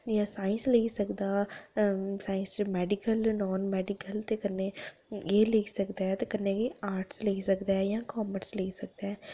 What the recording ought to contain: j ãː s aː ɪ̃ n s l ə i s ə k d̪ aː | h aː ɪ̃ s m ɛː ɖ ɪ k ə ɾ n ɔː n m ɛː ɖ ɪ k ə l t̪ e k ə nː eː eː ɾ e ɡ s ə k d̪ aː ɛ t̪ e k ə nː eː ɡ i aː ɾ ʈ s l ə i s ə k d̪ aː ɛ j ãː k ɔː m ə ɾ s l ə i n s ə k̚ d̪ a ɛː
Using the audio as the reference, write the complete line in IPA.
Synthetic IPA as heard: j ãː s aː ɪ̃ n s l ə i s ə k d̪ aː | s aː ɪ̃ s m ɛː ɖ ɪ k ə l n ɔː n m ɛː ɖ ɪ k ə l t̪ e k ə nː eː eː l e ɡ s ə k d̪ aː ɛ t̪ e k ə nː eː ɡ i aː ɾ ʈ s l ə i s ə k d̪ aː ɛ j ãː k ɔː m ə ɾ s l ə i s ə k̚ d̪ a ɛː